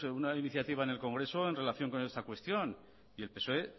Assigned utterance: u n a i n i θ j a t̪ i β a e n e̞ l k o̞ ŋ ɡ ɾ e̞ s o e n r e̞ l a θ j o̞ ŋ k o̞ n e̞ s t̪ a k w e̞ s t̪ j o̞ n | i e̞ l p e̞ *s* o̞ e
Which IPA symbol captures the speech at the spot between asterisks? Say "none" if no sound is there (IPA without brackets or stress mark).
s